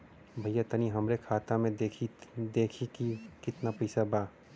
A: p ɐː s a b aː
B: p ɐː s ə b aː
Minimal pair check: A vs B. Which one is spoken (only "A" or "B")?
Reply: A